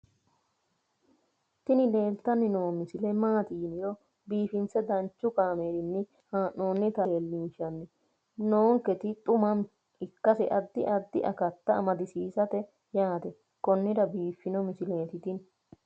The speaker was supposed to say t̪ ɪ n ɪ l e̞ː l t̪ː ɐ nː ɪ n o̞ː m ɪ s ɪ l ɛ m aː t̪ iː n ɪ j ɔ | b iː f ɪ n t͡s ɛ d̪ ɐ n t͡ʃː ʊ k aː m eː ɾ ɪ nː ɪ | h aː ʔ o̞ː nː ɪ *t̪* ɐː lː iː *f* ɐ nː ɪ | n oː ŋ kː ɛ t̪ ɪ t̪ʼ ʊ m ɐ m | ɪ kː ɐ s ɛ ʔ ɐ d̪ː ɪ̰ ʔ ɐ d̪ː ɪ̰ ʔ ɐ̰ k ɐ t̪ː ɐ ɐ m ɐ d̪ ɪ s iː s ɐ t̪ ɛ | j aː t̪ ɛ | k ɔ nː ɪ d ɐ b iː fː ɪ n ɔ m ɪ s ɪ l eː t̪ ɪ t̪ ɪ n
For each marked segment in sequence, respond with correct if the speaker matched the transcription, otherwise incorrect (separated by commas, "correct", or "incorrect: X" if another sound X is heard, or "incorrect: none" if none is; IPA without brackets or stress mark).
correct, incorrect: ʃ